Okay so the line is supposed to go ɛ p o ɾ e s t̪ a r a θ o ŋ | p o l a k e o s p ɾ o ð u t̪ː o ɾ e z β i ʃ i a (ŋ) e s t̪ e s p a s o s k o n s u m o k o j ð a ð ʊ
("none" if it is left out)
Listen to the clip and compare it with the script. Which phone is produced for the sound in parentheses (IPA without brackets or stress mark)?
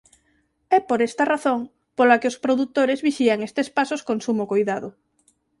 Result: ŋ